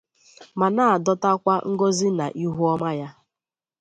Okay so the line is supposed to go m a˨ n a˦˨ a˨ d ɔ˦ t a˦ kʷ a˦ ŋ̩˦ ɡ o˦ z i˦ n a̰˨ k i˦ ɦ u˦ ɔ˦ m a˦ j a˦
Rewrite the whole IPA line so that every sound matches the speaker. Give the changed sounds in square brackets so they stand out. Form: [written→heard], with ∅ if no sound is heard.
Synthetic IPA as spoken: m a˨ n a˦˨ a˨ d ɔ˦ t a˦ kʷ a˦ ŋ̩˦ ɡ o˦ z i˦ n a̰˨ [k→ʔ] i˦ ɦ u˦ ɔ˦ m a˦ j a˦